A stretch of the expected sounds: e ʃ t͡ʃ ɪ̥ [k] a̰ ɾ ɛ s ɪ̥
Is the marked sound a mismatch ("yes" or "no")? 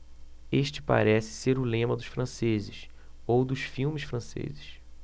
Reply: yes